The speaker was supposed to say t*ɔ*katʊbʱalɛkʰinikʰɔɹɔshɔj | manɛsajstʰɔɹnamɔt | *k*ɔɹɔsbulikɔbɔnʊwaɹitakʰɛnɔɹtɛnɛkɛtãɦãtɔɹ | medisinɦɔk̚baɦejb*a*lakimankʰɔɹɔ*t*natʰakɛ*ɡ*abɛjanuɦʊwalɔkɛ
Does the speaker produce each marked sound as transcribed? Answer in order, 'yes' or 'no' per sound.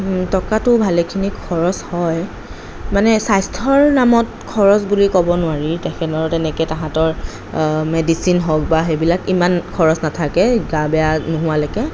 yes, no, no, no, yes

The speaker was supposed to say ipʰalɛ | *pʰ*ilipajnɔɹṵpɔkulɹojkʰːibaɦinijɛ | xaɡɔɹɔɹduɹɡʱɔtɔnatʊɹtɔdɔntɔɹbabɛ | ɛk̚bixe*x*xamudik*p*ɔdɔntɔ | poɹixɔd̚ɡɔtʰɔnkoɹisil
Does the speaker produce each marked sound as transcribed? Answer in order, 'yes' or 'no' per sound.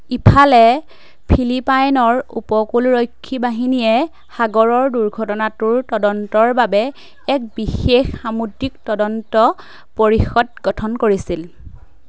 yes, yes, no

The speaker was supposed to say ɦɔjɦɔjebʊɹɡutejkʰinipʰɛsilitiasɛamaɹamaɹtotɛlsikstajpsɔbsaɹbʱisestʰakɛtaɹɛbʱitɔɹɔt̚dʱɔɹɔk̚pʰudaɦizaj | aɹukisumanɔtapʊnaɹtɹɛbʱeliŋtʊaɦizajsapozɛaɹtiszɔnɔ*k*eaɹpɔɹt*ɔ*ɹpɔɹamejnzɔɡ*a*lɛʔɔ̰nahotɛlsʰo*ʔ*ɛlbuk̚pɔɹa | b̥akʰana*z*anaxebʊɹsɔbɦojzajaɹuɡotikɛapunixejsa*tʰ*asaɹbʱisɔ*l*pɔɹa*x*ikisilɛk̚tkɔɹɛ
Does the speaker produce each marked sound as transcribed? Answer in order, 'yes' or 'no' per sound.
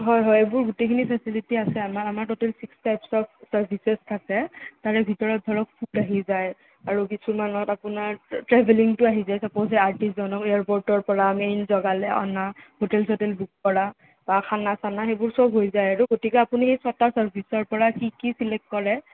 yes, yes, yes, no, no, no, no, no

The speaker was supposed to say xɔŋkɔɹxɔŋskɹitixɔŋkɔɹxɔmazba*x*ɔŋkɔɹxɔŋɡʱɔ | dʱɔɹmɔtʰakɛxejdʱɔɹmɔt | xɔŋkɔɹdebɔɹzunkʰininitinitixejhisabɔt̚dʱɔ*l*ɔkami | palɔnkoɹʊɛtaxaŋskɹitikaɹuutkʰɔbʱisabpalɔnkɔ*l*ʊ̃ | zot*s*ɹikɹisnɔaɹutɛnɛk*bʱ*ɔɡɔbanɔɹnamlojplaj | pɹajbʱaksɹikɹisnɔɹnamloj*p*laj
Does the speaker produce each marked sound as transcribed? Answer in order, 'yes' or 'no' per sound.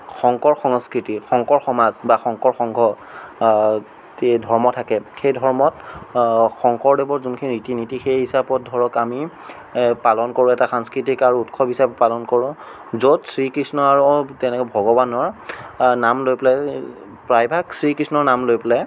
yes, no, no, yes, yes, yes

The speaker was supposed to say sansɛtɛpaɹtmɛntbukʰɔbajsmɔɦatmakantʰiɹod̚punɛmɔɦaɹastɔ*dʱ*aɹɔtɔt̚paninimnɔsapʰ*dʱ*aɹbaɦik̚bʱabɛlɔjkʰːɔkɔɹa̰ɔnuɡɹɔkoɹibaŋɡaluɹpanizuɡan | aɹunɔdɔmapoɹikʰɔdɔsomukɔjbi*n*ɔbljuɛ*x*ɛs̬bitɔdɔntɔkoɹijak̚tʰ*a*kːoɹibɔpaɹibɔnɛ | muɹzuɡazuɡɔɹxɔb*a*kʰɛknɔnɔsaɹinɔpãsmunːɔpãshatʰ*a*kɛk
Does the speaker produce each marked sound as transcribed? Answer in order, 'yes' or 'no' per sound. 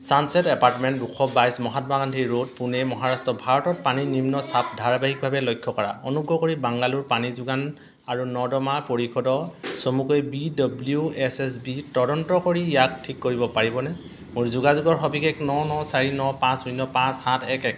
no, yes, no, no, no, no, no

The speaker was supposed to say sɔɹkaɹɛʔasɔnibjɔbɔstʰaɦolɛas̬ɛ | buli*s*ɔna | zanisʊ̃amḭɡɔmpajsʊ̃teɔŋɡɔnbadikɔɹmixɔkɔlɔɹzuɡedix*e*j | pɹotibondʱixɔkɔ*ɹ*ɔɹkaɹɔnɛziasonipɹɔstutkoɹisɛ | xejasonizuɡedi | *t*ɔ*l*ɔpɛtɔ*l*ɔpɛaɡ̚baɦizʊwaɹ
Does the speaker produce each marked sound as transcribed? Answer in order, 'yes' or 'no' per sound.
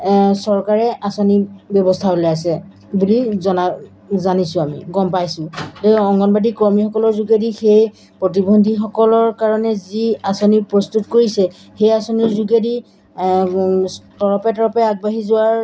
no, yes, no, yes, no, no

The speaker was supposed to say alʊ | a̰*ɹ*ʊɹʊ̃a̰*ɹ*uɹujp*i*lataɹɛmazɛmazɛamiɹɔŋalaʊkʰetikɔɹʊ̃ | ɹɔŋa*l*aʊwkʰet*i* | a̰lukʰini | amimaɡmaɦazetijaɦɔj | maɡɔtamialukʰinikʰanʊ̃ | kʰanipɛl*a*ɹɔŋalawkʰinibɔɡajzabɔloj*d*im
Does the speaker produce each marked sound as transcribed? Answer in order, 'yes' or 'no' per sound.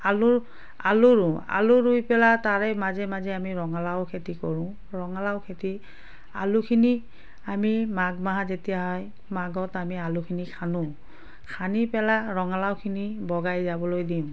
no, no, no, yes, yes, yes, yes

